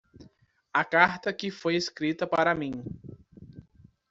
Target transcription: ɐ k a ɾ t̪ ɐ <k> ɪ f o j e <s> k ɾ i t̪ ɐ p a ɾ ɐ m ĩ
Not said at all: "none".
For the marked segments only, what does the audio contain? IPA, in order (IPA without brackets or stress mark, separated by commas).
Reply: k, s